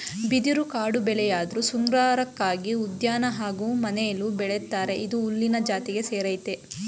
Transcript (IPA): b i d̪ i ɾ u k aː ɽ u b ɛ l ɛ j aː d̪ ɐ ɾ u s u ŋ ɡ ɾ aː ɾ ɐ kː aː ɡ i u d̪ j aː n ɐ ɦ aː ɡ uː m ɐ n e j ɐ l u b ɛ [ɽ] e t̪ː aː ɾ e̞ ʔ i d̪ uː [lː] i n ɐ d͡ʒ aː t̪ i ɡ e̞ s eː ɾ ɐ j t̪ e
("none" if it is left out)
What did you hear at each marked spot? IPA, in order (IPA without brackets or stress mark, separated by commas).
ɭ, lː